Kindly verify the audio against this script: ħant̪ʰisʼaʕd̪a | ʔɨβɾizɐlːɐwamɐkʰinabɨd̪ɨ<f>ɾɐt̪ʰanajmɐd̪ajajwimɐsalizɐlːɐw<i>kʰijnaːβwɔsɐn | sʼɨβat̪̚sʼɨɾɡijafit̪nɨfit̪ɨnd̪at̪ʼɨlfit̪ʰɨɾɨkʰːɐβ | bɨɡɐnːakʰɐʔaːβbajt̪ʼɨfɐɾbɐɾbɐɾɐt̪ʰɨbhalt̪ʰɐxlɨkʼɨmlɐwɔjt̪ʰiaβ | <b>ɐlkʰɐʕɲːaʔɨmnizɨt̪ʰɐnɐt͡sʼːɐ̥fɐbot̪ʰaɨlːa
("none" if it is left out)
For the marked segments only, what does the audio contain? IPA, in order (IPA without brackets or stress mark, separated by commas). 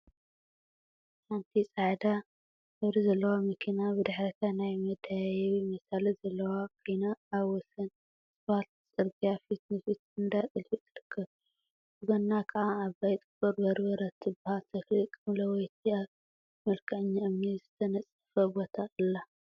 ħ, a, m